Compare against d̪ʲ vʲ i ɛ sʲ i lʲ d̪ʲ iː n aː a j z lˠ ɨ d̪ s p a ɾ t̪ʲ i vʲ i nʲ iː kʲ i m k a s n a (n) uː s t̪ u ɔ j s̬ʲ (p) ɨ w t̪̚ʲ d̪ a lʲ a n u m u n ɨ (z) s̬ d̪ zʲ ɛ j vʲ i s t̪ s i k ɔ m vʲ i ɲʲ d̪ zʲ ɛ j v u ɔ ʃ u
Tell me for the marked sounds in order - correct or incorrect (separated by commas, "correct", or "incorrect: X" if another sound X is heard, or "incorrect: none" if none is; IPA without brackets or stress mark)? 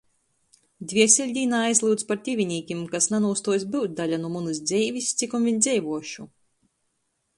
correct, incorrect: b, incorrect: none